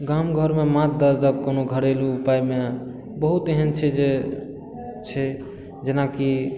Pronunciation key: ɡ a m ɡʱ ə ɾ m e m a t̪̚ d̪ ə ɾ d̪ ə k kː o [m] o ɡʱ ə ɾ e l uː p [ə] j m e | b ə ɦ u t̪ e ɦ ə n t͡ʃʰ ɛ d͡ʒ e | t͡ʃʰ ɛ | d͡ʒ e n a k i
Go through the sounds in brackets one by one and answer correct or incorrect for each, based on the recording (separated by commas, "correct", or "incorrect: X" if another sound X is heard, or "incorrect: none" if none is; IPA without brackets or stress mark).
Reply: incorrect: n, incorrect: a